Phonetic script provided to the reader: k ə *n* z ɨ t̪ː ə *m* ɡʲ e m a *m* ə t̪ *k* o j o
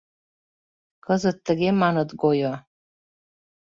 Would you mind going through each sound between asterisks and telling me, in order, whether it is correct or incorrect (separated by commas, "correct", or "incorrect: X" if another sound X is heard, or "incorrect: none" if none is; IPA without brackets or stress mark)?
incorrect: none, incorrect: none, incorrect: n, incorrect: ɡ